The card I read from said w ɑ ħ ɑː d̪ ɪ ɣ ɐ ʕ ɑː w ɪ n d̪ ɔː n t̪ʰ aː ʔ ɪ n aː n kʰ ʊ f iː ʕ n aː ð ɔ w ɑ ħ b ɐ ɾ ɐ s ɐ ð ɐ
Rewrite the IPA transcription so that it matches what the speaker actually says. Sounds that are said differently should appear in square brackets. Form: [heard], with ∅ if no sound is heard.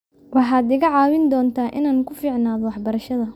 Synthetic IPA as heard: w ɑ ħ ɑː d̪ ɪ ɣ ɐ ʕ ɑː w ɪ n d̪ ɔː n t̪ʰ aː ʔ ɪ n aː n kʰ ʊ f iː ʕ n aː ð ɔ w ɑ ħ b ɐ ɾ ɐ [ʃ] ɐ ð ɐ